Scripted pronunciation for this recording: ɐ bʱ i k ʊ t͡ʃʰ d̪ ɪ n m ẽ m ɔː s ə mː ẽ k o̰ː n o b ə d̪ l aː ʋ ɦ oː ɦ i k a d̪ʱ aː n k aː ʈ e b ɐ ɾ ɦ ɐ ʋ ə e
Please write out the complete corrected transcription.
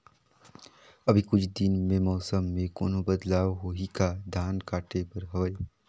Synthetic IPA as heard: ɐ bʱ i k ʊ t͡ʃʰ d̪ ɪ n m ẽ m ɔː s ə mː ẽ k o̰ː n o b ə d̪ l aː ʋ ɦ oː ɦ i k a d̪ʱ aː n k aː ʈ e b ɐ ɾ ɦ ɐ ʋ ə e